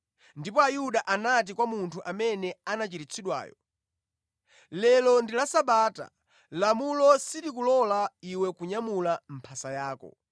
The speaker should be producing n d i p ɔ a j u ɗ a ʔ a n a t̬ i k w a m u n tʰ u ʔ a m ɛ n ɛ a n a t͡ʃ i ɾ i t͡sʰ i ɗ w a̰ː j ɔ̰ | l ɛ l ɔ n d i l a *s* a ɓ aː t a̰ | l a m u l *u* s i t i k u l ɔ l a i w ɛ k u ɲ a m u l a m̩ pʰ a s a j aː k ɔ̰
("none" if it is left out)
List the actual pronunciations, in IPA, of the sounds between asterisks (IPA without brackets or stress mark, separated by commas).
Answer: s, ɔ